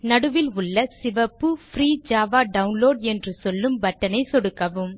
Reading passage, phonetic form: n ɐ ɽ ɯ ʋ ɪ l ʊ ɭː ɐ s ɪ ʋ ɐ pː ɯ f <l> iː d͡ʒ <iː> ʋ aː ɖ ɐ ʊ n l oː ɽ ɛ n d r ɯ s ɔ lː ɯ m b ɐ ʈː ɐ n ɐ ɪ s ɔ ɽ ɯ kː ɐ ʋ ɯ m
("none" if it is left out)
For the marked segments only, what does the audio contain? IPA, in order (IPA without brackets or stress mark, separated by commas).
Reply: ɾ, aː